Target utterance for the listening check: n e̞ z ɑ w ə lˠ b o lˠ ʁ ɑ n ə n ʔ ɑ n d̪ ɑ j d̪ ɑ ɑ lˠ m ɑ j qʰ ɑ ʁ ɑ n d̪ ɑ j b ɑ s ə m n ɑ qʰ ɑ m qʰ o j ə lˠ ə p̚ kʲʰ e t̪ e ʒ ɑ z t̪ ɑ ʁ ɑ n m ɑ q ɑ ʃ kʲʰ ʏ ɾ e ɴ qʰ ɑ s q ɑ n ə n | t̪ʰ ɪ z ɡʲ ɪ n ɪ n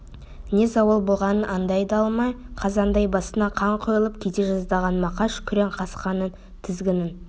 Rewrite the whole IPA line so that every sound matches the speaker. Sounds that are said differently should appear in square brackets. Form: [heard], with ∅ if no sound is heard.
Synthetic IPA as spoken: n e̞ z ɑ w ə lˠ b o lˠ ʁ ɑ n ə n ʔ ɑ n d̪ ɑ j d̪ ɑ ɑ lˠ m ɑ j qʰ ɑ [z] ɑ n d̪ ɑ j b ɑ s ə [∅] n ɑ qʰ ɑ [ɴ] qʰ o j ə lˠ ə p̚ kʲʰ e t̪ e ʒ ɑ z [d̪] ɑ ʁ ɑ n m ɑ q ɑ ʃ kʲʰ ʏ ɾ e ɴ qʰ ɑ s q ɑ n ə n | t̪ʰ ɪ z ɡʲ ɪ n ɪ n